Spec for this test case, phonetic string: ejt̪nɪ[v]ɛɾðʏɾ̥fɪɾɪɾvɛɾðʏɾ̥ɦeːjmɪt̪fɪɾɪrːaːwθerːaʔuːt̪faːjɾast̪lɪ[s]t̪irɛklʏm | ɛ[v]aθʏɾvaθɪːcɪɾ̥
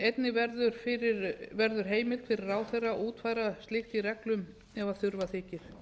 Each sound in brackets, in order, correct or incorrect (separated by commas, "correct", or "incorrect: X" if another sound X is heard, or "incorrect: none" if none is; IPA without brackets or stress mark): correct, incorrect: x, correct